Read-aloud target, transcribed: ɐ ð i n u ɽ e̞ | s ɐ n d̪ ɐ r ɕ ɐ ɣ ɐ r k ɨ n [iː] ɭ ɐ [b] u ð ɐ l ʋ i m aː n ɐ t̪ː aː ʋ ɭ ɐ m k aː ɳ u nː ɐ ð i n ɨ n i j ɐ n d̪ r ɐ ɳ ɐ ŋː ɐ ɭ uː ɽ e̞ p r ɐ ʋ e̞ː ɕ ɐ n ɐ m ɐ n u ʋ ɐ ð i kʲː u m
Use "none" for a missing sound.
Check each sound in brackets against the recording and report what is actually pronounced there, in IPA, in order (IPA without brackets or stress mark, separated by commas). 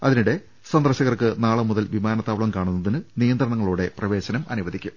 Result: aː, m